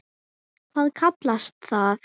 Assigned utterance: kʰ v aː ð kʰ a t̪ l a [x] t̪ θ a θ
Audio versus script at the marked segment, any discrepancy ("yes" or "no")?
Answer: yes